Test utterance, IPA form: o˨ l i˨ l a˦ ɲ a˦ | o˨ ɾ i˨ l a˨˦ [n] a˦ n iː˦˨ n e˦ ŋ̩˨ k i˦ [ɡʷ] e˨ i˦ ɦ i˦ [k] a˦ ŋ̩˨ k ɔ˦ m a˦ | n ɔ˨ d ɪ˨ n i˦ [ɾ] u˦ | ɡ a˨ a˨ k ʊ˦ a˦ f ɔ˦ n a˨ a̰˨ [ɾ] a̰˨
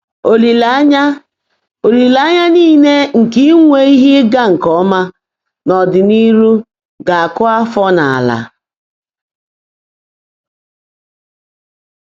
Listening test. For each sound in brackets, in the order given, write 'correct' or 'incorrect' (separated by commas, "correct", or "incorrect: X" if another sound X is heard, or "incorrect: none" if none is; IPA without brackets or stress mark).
incorrect: ɲ, incorrect: ŋʷ, incorrect: ɡ, correct, incorrect: l